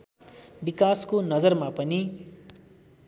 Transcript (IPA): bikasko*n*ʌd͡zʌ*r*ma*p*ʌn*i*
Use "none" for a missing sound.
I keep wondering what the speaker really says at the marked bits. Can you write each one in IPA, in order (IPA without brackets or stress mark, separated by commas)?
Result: n, r, p, i